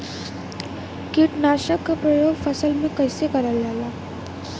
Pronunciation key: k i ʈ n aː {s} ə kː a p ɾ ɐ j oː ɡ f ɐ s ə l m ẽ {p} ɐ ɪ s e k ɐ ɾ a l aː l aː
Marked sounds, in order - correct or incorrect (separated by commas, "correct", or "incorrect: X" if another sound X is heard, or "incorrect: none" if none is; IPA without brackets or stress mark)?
incorrect: ʃ, incorrect: k